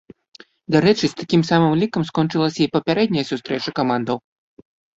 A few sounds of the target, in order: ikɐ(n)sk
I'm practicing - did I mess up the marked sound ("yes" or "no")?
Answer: yes